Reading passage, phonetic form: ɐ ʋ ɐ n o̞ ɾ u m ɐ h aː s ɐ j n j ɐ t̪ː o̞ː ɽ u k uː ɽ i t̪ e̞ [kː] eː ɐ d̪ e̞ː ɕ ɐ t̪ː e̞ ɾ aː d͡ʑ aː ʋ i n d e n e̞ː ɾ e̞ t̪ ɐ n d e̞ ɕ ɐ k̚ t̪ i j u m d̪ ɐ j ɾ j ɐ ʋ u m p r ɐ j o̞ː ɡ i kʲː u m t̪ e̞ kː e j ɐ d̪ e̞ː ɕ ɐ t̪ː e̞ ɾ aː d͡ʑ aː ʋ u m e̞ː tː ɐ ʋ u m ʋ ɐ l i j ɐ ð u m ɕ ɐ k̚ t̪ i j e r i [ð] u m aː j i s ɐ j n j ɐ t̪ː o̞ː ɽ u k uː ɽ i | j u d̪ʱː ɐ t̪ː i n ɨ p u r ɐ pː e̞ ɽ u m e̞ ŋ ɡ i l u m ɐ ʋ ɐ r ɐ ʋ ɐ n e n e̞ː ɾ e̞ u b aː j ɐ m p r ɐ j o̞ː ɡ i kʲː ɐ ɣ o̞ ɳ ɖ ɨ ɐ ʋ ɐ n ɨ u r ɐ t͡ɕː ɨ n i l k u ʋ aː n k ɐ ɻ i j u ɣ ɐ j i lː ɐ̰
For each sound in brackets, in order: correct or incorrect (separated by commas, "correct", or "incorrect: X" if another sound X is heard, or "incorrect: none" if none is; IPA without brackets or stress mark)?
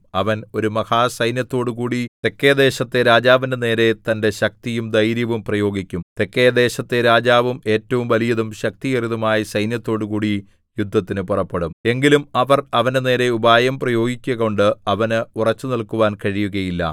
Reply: correct, correct